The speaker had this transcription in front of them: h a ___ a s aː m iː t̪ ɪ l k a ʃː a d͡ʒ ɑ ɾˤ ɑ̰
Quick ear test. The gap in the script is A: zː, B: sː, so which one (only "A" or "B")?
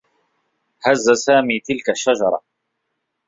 A